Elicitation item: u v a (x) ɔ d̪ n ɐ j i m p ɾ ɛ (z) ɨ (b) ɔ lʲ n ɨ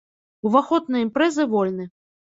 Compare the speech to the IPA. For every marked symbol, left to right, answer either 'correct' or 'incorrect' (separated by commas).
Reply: correct, correct, incorrect